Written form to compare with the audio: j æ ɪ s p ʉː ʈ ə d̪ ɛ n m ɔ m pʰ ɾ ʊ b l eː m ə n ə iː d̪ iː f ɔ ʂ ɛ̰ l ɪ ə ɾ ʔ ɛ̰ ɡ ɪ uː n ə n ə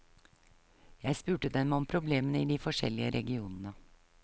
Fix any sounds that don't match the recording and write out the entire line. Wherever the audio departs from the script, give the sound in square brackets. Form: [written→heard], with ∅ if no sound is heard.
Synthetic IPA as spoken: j æ ɪ s p ʉː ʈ ə d̪ ɛ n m ɔ m pʰ ɾ ʊ b l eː m ə n ə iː d̪ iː f ɔ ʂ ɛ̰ l ɪ ə ɾ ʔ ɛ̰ ɡ ɪ uː n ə n ə